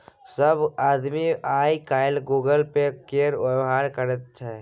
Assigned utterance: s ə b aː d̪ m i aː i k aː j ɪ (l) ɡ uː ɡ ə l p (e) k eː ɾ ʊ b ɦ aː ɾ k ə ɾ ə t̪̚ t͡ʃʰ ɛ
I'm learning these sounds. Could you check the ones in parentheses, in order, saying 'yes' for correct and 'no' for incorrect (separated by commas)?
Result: yes, yes